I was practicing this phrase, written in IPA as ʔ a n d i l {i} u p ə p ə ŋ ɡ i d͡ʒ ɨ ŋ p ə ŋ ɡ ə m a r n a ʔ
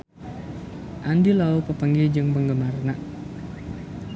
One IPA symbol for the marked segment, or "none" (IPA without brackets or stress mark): a